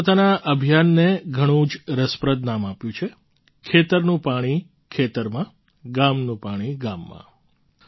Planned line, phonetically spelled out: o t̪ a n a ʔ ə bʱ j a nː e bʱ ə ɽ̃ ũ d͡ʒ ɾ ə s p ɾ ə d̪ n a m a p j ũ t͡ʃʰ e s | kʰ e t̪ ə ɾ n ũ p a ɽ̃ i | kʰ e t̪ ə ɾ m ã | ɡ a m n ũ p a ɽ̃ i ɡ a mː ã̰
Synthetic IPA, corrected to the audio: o t̪ a n a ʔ ə bʱ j a nː e ɡʱ ə ɽ̃ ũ d͡ʒ ɾ ə s p ɾ ə d̪ n a m a p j ũ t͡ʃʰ e | kʰ e t̪ ə ɾ n ũ p a ɽ̃ i | kʰ e t̪ ə ɾ m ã | ɡ a m n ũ p a ɽ̃ i ɡ a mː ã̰